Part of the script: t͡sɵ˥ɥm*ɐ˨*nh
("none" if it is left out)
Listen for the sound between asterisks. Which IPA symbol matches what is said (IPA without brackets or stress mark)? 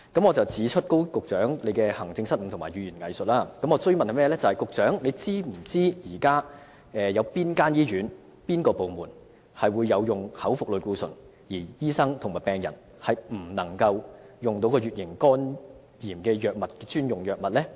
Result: ɐ˨